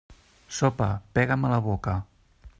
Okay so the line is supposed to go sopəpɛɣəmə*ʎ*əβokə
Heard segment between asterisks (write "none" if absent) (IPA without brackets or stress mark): l